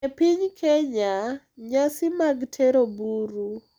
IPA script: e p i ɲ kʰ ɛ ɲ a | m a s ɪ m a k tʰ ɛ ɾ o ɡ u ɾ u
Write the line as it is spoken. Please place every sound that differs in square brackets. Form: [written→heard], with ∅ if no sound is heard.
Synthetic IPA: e p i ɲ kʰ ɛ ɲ a | [m→ɲ] a s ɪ m a [k→ɡ] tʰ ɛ ɾ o [ɡ→b] u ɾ u